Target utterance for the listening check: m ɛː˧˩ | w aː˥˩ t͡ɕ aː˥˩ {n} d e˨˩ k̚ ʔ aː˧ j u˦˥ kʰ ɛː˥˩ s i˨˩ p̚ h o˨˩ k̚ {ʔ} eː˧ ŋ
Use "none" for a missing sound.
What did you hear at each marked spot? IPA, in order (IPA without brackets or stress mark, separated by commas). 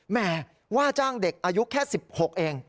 ŋ, ʔ